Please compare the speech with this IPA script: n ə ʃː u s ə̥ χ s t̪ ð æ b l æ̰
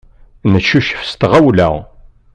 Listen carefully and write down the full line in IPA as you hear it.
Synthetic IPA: n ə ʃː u ʃ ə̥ f s t̪ ʁ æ w l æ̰